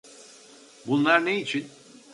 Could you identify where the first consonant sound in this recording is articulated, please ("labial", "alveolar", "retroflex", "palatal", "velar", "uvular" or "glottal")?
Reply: labial